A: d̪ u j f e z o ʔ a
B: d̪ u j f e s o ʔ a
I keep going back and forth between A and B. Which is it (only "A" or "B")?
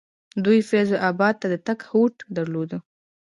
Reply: A